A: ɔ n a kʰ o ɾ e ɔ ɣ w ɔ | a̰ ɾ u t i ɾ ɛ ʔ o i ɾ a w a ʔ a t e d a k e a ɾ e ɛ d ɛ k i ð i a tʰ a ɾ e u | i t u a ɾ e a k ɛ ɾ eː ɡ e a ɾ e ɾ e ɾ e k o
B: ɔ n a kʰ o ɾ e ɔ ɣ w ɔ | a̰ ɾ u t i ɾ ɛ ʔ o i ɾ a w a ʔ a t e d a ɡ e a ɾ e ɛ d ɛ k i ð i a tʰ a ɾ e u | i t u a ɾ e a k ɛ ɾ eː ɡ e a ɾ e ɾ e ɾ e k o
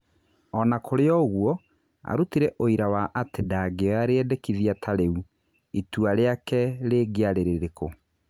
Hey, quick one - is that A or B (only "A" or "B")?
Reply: B